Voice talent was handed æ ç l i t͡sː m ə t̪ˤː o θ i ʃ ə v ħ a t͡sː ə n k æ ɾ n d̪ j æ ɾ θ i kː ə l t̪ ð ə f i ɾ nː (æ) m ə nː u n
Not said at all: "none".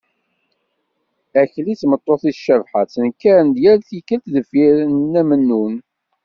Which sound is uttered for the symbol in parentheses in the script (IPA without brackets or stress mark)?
æ